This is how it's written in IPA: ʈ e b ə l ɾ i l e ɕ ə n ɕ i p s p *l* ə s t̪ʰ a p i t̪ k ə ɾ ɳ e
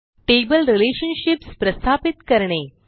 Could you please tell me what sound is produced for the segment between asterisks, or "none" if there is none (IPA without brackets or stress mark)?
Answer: ɾ